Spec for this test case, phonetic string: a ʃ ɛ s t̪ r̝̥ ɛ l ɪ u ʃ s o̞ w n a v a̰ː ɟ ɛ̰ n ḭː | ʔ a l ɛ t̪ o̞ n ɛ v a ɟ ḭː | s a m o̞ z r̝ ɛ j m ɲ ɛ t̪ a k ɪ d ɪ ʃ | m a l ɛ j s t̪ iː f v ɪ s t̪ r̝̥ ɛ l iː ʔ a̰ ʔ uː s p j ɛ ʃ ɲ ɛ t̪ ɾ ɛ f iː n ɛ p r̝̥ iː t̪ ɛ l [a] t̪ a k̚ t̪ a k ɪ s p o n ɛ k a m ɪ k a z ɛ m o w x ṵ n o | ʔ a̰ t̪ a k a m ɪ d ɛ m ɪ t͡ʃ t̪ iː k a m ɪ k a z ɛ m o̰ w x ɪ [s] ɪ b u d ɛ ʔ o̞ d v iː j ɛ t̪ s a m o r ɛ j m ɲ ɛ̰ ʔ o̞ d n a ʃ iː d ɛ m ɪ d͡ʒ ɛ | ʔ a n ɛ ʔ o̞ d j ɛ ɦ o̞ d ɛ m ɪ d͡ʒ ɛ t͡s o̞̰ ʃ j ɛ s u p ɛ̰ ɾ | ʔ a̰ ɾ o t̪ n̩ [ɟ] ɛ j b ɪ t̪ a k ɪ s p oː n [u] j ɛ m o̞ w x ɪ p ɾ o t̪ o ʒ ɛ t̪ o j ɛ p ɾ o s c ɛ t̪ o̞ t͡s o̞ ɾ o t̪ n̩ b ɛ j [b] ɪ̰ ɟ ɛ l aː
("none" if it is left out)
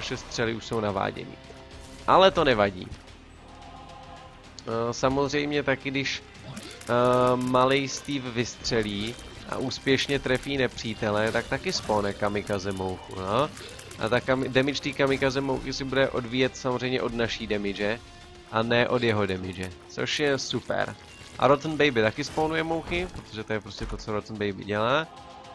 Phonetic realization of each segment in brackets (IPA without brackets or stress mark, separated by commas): ɛ, s, b, u, b